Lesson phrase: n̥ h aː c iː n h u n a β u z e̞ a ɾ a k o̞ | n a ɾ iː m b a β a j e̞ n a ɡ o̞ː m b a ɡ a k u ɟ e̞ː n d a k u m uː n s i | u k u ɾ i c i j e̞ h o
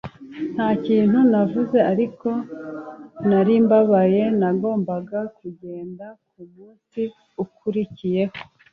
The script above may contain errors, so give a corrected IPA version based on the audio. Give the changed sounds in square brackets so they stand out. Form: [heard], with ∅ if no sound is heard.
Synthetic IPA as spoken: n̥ h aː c iː n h u n a [v] u z e̞ a ɾ [i] k o̞ | n a ɾ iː m b a β a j e̞ n a ɡ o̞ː m b a ɡ a k u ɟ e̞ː n d a k u m uː n s i | u k u ɾ i c i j e̞ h o